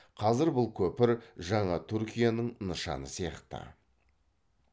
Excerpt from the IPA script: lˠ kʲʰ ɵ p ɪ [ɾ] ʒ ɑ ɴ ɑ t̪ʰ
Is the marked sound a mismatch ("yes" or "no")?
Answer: no